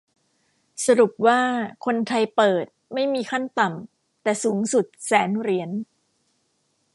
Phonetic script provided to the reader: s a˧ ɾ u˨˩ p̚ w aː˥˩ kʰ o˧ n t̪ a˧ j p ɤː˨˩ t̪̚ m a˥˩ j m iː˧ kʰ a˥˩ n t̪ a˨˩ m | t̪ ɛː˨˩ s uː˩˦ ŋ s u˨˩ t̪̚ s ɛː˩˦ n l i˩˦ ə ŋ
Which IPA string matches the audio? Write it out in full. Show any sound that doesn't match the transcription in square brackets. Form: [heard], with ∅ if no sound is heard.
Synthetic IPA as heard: s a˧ ɾ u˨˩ p̚ w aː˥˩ kʰ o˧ n [t̪ʰ] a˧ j p ɤː˨˩ t̪̚ m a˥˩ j m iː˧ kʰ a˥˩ n t̪ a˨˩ m | t̪ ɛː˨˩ s uː˩˦ ŋ s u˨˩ t̪̚ s ɛː˩˦ n [ɾ] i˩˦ ə [n]

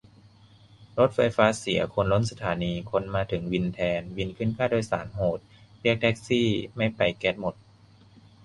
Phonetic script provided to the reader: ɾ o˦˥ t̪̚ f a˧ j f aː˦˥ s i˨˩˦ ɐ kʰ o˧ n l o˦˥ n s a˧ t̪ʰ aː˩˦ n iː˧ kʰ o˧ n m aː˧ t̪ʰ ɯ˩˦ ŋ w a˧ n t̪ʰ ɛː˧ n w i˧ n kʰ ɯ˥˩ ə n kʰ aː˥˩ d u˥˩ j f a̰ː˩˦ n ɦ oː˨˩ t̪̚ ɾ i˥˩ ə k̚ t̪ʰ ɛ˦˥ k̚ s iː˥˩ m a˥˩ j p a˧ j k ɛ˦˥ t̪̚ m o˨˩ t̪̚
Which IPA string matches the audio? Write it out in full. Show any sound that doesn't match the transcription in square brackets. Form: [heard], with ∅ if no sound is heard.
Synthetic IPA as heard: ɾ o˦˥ t̪̚ f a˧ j f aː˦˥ s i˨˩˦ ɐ kʰ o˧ n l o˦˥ n s a˧ t̪ʰ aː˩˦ n iː˧ kʰ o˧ n m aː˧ t̪ʰ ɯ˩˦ ŋ w [i˧] n t̪ʰ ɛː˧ n w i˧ n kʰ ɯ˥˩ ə n kʰ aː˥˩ d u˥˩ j [s] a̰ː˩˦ n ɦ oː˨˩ t̪̚ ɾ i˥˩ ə k̚ t̪ʰ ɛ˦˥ k̚ s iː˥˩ m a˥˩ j p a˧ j k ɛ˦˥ t̪̚ m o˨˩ t̪̚

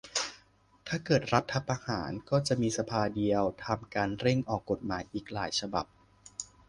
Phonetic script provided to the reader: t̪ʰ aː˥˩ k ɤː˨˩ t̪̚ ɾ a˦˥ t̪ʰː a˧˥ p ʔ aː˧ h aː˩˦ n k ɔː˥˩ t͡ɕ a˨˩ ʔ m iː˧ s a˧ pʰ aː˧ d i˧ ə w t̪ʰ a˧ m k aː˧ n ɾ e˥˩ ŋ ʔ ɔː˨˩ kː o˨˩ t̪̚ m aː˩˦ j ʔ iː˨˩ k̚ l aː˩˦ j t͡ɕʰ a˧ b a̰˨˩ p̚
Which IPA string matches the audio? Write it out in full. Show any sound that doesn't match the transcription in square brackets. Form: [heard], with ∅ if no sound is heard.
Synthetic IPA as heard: t̪ʰ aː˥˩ k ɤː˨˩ t̪̚ ɾ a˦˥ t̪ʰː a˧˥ p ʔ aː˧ h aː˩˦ n k ɔː˥˩ t͡ɕ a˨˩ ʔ m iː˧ s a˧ pʰ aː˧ d i˧ ə w t̪ʰ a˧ m k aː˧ n ɾ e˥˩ ŋ ʔ ɔː˨˩ kː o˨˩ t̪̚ m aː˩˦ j ʔ iː˨˩ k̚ l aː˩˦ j t͡ɕʰ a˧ b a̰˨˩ p̚

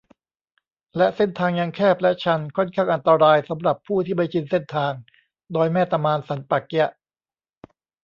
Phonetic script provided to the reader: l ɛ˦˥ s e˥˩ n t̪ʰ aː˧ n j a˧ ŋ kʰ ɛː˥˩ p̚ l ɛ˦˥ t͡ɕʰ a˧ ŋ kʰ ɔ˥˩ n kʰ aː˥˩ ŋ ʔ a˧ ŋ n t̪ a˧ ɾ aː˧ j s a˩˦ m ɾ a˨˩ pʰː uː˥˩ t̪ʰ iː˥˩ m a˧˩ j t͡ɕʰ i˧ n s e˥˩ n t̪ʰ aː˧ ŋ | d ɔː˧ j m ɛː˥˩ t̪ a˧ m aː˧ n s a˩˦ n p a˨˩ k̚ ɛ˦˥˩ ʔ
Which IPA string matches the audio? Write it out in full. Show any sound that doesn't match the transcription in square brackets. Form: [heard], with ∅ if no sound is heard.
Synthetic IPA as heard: l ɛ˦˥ s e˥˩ n t̪ʰ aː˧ [ŋ] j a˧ ŋ kʰ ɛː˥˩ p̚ l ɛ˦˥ t͡ɕʰ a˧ [n] kʰ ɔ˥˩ n kʰ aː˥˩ ŋ ʔ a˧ [∅] n t̪ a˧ ɾ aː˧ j s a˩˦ m ɾ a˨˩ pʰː uː˥˩ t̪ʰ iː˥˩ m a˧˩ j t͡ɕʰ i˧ n s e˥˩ n t̪ʰ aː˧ ŋ | d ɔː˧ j m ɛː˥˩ t̪ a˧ m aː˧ n s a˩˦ n p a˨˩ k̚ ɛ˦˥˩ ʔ

